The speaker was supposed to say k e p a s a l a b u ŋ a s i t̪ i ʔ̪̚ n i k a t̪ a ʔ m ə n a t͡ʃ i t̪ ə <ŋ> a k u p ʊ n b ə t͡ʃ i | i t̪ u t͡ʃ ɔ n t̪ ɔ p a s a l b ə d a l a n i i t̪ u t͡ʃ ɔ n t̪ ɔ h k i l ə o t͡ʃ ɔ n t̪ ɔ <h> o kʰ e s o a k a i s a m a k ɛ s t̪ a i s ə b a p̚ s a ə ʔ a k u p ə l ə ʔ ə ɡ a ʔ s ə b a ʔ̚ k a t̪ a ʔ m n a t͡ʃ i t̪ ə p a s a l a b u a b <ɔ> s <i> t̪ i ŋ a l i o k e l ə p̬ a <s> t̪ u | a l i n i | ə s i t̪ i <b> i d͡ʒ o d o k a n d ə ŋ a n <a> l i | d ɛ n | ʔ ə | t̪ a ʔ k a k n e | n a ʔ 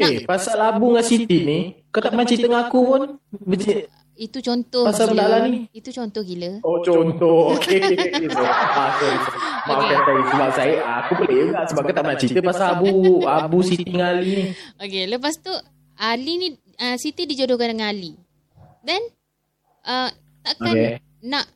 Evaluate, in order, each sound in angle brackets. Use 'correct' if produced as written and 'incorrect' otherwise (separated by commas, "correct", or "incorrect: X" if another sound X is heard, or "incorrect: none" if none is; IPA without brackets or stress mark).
correct, correct, incorrect: u, correct, correct, incorrect: d, correct